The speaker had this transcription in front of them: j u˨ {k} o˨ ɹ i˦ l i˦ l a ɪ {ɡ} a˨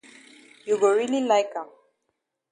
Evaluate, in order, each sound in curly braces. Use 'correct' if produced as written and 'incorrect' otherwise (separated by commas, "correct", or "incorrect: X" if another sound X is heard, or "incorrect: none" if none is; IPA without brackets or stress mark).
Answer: incorrect: ɡ, incorrect: k